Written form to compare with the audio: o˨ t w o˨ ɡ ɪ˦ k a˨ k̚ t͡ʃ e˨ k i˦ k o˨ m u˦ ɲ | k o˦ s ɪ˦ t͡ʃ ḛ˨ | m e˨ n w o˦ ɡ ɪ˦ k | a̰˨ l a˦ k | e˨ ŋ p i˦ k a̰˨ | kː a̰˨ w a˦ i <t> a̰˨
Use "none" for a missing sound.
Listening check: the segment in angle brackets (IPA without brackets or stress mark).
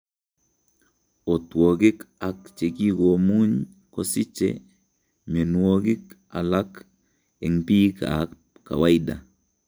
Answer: d